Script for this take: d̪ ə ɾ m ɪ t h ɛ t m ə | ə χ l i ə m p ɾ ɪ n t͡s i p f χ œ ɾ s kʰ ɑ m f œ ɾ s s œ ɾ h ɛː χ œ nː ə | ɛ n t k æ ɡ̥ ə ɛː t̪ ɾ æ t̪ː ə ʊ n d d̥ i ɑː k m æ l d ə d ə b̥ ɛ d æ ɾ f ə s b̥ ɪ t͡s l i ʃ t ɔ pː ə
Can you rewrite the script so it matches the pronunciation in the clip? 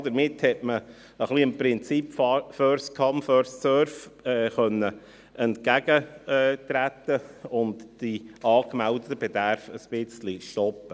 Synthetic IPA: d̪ ə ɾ m ɪ t h ɛ t m ə | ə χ l i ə m p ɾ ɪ n t͡s i p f f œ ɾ s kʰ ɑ m f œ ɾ s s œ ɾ f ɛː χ œ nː ə | ɛ n t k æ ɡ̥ ə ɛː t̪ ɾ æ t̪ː ə ʊ n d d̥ i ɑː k m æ l d ə t ə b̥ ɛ d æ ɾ f ə s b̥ ɪ t͡s l i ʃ t ɔ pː ə